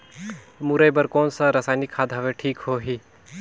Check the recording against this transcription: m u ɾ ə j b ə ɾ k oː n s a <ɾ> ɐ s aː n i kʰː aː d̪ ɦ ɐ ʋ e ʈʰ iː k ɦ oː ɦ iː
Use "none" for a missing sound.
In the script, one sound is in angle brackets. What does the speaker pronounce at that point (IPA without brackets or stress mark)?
ɾ